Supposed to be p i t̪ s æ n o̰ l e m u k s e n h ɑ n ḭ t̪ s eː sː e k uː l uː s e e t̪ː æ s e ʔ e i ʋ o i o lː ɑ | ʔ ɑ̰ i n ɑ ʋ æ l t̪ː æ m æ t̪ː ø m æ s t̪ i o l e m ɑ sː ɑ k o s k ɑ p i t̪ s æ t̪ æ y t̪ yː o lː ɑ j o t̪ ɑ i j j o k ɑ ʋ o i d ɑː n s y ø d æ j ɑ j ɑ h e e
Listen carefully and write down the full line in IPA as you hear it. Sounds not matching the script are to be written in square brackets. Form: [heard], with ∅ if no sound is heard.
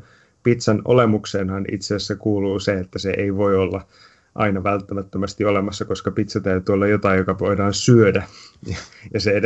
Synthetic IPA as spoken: p i t̪ s æ n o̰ l e m u k s e n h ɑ n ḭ t̪ s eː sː e k uː l uː s e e t̪ː æ s e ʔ e i ʋ o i o lː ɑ | ʔ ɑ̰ i n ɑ ʋ æ l t̪ː æ m æ t̪ː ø m æ s t̪ i o l e m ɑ sː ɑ k o s k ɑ p i t̪ s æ t̪ æ y t̪ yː o lː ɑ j o t̪ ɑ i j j o k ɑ ʋ o i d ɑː n s y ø d æ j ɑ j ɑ [s] e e